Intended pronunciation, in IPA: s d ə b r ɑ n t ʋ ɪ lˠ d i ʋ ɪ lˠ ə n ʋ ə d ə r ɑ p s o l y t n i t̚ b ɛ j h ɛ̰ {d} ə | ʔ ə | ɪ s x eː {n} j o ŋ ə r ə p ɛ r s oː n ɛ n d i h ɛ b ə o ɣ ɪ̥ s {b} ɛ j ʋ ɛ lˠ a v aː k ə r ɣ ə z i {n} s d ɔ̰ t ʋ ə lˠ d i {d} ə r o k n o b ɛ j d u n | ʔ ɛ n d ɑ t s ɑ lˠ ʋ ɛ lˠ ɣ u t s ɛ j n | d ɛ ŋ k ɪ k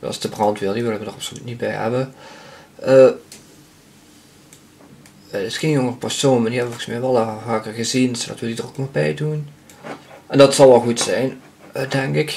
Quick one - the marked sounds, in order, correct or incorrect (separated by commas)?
incorrect, correct, incorrect, correct, correct